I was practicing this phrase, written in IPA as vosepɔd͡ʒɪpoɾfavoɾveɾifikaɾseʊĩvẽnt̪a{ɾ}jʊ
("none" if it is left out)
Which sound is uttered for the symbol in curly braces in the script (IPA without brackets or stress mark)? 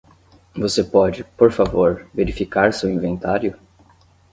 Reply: ɾ